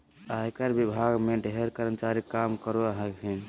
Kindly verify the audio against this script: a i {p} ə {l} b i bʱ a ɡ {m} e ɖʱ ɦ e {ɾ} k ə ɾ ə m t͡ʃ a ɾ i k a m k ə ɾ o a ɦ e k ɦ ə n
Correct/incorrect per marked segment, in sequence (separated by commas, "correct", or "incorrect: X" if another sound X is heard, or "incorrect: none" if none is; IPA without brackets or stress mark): incorrect: k, incorrect: ɾ, correct, correct